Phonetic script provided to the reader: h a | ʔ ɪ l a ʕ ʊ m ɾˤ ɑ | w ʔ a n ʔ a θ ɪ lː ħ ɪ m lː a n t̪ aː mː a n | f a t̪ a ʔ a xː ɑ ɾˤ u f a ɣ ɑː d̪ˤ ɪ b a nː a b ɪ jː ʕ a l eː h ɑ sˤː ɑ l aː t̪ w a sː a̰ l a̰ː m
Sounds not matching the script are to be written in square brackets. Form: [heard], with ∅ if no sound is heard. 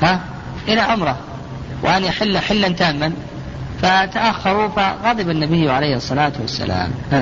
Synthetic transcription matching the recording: h a | ʔ ɪ l a ʕ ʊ m ɾˤ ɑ | w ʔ a n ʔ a [ħ] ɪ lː ħ ɪ [∅] lː a n t̪ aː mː a n | f a t̪ a ʔ a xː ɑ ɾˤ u f a ɣ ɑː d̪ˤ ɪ b a nː a b ɪ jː ʕ a l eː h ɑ sˤː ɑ l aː t̪ w a sː a̰ l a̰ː m